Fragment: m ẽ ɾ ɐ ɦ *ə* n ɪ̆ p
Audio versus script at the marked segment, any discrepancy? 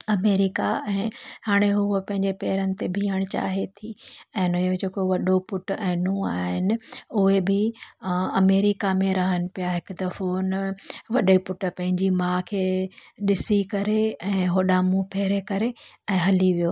no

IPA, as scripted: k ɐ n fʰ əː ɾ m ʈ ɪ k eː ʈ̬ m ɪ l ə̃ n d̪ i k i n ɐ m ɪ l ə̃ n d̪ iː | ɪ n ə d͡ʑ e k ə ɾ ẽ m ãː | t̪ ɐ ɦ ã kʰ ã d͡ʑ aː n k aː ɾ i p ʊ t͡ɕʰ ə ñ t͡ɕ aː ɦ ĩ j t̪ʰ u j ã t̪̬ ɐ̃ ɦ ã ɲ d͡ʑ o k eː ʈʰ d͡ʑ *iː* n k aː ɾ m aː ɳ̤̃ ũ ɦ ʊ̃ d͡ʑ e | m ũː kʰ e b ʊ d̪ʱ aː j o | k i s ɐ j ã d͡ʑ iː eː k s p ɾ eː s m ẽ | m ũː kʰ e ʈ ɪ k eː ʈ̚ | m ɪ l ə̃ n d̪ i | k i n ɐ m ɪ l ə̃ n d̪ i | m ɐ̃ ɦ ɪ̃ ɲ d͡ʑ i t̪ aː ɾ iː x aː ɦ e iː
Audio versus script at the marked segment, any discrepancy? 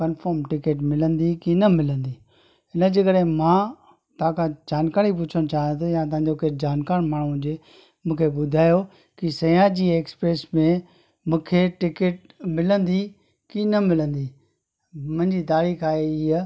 yes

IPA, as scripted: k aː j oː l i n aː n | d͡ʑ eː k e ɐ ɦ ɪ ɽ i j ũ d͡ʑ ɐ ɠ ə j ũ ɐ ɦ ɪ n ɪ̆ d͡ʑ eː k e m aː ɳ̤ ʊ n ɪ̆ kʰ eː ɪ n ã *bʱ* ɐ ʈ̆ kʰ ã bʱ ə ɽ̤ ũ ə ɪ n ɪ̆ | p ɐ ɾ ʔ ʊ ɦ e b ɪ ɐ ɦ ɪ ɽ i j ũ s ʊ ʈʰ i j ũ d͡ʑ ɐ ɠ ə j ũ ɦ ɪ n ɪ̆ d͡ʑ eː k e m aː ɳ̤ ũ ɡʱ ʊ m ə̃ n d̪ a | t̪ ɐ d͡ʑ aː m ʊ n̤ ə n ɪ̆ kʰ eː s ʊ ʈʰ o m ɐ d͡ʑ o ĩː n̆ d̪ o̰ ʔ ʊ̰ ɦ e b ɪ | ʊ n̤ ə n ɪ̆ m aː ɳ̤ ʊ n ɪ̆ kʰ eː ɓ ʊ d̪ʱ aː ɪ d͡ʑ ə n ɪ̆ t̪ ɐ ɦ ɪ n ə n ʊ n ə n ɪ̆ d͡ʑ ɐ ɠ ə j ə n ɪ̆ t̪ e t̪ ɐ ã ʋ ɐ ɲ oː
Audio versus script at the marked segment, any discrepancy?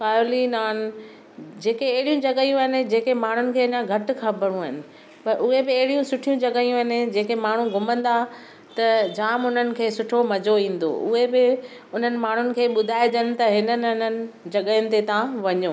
yes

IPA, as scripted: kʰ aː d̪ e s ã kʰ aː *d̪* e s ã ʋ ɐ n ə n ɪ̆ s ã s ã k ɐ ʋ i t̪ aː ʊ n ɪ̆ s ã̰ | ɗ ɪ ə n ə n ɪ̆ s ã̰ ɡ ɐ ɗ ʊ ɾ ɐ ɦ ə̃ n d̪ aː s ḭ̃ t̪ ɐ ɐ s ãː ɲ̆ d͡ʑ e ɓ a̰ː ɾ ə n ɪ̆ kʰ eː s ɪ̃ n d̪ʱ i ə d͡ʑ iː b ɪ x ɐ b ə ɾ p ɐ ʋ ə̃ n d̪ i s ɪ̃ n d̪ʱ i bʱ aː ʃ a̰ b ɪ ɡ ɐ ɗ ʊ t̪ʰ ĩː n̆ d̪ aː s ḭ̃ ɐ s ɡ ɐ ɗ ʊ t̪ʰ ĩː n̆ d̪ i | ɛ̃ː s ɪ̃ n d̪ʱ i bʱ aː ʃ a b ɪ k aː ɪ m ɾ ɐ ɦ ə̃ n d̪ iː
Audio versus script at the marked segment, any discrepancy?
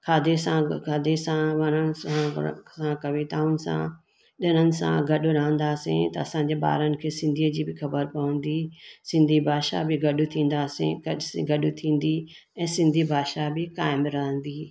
no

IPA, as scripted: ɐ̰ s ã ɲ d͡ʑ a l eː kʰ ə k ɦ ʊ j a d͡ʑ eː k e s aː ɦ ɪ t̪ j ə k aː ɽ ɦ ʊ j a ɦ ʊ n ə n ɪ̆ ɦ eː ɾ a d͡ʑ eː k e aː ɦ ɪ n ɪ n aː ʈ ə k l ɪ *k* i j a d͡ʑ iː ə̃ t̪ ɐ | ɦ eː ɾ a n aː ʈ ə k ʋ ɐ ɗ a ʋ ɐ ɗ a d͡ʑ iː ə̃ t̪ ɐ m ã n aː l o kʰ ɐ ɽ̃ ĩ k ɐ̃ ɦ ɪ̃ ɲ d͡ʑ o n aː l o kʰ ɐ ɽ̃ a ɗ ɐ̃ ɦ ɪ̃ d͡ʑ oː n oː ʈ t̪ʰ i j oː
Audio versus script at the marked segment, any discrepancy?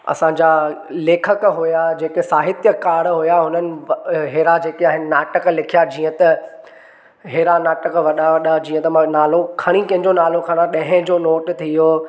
yes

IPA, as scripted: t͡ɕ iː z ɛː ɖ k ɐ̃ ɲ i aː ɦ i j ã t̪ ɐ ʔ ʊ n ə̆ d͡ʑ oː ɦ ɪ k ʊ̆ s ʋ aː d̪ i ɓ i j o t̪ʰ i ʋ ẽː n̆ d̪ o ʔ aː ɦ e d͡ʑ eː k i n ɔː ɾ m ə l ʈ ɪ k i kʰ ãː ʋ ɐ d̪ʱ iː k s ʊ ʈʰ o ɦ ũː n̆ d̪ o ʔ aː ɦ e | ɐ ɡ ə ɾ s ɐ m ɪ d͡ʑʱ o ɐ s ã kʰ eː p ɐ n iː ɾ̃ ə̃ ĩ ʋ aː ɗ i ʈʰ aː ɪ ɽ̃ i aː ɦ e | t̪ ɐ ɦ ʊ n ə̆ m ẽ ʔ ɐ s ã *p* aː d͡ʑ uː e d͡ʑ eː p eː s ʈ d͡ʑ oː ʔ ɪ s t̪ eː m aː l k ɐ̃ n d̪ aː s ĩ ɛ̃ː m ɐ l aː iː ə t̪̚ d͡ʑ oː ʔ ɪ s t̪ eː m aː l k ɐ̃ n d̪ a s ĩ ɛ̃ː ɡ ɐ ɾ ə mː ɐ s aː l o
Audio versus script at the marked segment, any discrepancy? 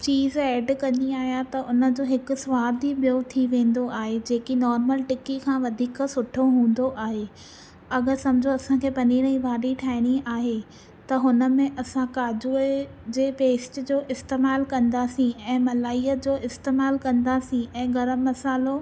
yes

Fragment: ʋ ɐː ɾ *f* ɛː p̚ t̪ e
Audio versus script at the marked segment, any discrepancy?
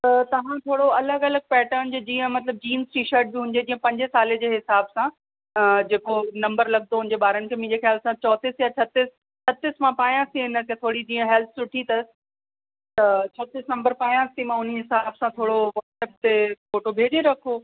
yes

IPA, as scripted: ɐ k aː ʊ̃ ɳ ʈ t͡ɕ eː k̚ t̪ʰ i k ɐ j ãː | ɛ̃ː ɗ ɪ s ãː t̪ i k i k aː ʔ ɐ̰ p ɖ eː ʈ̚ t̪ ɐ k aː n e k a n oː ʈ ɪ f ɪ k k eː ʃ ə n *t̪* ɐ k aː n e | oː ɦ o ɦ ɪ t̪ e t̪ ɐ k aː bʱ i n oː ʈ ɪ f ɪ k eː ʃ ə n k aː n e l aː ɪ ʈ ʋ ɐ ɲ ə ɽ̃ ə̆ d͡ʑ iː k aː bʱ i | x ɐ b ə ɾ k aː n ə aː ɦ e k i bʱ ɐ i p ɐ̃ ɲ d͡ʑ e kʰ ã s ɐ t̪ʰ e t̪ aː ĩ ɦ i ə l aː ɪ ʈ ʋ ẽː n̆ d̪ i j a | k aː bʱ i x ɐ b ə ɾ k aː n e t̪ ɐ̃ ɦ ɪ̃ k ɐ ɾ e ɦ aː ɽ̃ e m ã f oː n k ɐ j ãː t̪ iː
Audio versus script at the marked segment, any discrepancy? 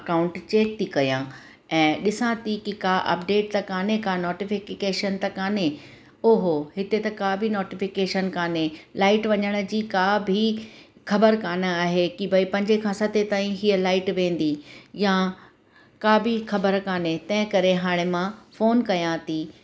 no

